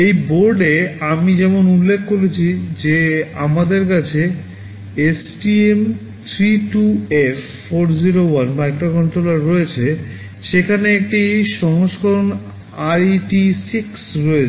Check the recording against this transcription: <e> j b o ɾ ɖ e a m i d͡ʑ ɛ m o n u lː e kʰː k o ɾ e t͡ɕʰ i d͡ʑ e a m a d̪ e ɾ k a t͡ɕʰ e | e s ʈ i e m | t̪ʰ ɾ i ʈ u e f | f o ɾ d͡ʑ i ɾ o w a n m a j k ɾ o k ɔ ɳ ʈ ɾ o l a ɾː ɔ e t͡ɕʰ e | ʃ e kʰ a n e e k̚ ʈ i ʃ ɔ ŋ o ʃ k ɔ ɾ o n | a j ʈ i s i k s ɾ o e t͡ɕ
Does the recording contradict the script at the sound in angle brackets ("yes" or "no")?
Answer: no